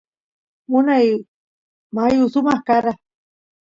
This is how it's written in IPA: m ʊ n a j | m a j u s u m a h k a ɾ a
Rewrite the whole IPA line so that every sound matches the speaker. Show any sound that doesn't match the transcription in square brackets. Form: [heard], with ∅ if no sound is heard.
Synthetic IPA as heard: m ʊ n a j | m a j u s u m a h k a ɾ a